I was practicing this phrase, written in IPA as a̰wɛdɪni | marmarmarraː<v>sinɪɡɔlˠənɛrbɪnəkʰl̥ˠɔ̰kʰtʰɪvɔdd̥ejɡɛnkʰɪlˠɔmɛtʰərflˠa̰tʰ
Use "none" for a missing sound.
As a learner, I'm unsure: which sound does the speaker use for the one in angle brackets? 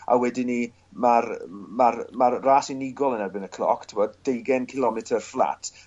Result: none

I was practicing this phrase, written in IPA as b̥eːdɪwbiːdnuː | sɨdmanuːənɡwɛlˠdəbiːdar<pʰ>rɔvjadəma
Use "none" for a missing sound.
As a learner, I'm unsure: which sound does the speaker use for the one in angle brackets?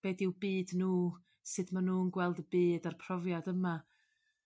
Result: pʰ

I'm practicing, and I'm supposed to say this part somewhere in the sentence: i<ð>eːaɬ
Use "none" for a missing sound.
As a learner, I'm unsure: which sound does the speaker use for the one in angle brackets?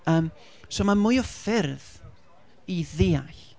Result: ð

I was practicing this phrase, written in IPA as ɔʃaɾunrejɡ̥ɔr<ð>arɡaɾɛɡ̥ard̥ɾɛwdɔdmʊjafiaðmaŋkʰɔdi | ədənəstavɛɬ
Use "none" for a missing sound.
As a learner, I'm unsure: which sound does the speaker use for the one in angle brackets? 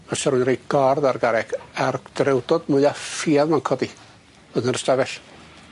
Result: ð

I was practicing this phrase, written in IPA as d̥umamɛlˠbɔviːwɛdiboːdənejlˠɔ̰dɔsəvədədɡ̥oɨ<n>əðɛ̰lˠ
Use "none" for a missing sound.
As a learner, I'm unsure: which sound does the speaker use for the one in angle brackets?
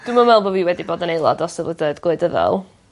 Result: d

